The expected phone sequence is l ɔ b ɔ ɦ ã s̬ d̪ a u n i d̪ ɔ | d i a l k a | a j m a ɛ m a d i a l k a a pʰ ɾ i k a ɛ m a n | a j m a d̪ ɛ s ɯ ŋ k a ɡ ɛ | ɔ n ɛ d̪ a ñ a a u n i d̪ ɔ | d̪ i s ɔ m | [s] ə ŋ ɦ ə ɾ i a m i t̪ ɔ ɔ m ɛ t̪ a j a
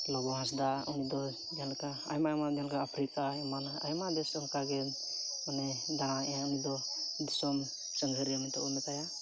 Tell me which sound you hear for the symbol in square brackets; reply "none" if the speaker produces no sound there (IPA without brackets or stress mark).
s